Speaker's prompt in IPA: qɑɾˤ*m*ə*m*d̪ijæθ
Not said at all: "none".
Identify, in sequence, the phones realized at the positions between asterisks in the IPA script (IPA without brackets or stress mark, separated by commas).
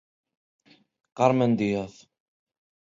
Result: m, n